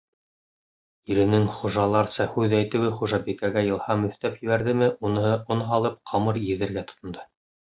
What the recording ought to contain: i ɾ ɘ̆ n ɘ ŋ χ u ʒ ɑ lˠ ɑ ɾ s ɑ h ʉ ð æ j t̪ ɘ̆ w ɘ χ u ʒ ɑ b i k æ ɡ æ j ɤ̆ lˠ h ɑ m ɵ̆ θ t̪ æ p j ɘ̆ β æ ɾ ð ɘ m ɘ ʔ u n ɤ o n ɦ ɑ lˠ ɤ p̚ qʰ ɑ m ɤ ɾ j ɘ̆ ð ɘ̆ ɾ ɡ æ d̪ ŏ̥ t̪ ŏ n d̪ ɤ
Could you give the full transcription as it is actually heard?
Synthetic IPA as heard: i ɾ ɘ̆ n ɘ ŋ χ u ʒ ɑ lˠ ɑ ɾ s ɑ h ʉ ð æ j t̪ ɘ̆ w ɘ χ u ʒ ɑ b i k æ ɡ æ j ɤ̆ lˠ h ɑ m ɵ̆ θ t̪ æ p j ɘ̆ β æ ɾ ð ɘ m ɘ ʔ u n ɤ o n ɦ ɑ lˠ ɤ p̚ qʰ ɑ m ɤ ɾ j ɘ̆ ð ɘ̆ ɾ ɡ æ t̪ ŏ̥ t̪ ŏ n d̪ ɤ